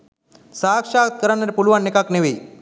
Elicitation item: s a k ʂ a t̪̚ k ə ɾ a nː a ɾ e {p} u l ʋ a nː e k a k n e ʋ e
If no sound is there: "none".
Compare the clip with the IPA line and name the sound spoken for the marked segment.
p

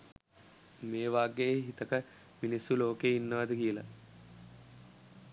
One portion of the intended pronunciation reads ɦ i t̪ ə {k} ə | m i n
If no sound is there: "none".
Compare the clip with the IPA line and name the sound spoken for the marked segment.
k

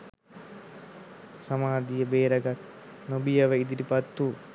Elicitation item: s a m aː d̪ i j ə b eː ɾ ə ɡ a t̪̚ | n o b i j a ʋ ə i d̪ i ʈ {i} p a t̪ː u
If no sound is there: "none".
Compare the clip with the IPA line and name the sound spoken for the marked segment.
i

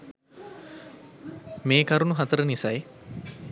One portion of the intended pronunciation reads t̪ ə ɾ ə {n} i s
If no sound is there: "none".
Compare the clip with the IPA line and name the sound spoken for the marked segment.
n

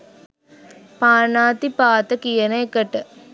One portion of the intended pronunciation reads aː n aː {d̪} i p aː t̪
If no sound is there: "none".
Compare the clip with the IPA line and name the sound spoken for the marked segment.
t̪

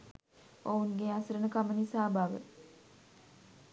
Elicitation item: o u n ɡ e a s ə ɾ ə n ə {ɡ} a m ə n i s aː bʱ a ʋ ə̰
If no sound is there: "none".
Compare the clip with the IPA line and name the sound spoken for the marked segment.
k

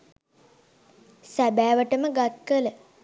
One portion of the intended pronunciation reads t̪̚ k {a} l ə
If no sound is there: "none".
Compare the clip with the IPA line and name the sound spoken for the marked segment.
ə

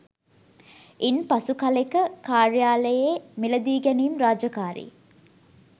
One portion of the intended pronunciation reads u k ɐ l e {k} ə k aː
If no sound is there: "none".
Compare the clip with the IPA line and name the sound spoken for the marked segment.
k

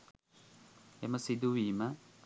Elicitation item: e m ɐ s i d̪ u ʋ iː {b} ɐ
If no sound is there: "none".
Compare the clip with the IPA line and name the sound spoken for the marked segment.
m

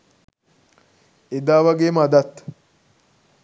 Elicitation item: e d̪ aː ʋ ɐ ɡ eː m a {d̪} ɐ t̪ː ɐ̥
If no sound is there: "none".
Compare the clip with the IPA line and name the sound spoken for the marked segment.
d̪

